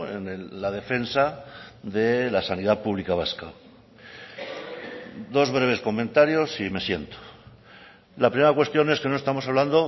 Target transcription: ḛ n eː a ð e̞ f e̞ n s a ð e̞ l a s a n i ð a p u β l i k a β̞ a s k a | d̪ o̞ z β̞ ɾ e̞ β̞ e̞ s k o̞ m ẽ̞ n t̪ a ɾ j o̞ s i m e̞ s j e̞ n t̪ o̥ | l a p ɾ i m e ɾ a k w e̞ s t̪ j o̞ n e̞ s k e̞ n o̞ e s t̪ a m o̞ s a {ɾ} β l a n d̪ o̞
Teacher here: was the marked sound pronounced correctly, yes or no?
no